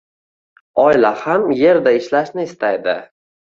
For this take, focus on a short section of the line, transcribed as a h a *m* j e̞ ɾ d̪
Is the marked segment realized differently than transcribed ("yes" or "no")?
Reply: no